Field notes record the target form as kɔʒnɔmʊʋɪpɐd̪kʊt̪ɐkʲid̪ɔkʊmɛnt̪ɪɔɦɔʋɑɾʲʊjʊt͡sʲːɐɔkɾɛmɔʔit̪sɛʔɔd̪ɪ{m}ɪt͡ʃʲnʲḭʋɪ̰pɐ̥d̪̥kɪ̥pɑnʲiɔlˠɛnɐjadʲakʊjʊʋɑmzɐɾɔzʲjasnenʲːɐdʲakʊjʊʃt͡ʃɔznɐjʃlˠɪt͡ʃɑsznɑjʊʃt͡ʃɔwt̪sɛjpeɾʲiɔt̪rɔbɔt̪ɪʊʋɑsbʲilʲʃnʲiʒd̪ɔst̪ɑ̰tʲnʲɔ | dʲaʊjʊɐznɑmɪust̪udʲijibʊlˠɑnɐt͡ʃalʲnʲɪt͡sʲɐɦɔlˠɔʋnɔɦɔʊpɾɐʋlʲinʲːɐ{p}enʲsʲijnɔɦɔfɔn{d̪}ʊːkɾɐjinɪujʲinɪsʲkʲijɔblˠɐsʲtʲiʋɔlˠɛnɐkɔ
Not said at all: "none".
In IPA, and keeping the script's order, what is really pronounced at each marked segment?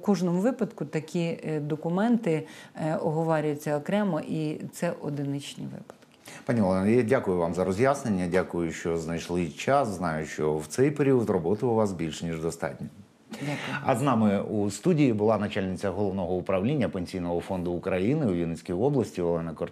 n, p, d̪

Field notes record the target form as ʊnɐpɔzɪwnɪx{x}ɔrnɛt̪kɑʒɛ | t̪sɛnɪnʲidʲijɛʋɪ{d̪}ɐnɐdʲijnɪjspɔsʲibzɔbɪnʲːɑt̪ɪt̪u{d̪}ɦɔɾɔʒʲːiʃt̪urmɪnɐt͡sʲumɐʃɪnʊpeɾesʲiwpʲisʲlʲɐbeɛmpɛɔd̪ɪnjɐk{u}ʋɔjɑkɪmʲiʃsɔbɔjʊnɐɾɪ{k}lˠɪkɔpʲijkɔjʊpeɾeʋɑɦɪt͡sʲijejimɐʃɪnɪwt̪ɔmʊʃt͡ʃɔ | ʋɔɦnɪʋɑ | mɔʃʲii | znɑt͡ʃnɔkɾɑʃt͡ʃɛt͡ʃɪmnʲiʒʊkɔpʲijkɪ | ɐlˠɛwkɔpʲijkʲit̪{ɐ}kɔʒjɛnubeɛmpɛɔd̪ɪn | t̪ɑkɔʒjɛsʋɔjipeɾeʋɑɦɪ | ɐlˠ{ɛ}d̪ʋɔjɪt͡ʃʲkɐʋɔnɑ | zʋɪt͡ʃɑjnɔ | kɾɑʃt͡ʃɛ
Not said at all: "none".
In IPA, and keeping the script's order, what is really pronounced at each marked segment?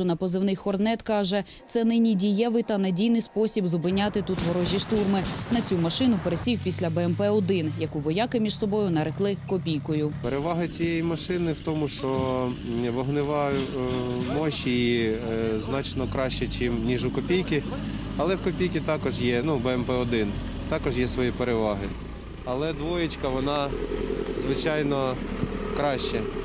x, t̪, t̪, u, k, ɑ, ɛ

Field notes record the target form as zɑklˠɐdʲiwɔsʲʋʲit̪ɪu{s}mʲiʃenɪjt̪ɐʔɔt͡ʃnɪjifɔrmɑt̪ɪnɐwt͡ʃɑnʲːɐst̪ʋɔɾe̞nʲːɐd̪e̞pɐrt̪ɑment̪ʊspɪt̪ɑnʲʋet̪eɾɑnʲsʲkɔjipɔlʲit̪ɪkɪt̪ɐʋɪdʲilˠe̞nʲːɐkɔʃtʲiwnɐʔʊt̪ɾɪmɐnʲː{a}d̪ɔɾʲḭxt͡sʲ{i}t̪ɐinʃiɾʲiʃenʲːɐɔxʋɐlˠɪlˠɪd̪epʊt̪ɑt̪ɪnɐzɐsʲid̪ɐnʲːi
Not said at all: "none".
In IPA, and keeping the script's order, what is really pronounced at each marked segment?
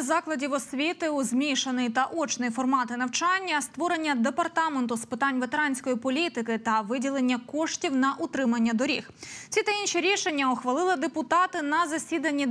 z, ɐ, i

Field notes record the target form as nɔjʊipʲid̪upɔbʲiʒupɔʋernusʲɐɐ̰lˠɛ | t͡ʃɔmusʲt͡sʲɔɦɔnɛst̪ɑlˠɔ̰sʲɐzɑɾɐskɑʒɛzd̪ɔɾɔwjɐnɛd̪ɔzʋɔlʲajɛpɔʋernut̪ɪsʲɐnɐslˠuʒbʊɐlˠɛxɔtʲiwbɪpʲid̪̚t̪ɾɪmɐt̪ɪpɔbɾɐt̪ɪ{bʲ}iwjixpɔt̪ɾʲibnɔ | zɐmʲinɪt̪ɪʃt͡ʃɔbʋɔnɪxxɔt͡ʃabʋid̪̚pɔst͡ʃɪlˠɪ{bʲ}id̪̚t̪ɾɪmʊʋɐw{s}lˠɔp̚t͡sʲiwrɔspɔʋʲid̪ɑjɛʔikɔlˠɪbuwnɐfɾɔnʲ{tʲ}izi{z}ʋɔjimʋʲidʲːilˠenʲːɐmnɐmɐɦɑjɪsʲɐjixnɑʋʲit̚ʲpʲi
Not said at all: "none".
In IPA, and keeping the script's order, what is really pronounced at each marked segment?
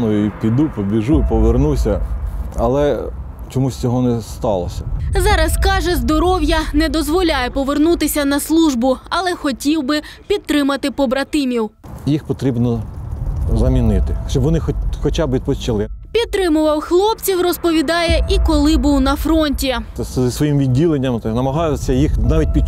mʲ, pʲ, x, tʲ, s

